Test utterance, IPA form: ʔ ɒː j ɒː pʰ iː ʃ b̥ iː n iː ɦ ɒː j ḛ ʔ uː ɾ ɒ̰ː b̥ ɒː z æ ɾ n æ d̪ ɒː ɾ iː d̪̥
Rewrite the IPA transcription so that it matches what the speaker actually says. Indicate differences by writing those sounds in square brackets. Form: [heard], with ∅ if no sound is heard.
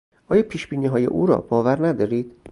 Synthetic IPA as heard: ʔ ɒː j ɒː pʰ iː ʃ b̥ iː n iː ɦ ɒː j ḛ ʔ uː ɾ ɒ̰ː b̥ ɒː [v] æ ɾ n æ d̪ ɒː ɾ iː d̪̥